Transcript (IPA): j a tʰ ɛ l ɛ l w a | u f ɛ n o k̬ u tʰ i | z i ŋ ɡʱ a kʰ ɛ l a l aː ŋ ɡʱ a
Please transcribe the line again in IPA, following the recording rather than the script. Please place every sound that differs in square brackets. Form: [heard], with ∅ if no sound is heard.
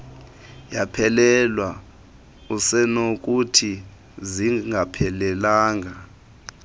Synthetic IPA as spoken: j a [pʰ] ɛ l ɛ l w a | u [s] ɛ n o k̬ u tʰ i | z i ŋ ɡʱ a [pʰ] ɛ l [ɛ] l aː ŋ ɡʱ a